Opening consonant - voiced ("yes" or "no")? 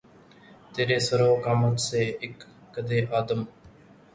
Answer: no